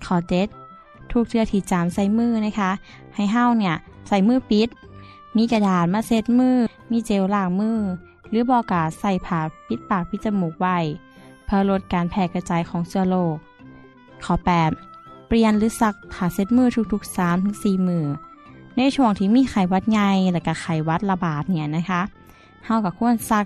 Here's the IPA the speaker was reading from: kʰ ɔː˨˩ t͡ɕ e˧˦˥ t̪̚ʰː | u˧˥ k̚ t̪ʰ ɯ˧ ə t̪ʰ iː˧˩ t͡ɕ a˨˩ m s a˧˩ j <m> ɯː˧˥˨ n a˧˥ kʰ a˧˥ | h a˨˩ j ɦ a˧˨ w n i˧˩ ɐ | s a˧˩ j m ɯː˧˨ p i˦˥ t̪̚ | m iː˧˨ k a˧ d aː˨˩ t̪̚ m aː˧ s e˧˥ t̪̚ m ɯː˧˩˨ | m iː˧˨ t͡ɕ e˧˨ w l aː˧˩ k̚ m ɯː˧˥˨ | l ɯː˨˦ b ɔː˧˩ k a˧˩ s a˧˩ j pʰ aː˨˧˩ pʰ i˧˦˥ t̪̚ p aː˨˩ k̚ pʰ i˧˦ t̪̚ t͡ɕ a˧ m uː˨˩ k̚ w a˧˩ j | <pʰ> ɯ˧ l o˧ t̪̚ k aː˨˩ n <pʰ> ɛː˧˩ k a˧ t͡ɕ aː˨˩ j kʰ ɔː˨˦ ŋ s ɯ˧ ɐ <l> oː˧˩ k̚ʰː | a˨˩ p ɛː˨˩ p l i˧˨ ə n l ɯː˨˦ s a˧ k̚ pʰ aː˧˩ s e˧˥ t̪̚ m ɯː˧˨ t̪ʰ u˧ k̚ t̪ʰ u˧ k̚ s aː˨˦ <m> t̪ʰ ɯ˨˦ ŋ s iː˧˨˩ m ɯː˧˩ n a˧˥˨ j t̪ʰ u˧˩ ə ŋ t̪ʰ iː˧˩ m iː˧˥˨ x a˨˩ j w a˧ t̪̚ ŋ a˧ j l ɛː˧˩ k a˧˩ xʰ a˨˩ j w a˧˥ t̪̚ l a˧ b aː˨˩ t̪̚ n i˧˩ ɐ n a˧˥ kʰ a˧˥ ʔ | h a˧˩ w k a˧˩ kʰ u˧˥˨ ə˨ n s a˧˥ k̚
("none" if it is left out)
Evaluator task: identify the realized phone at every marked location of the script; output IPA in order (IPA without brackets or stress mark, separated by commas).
m, pʰ, pʰ, l, m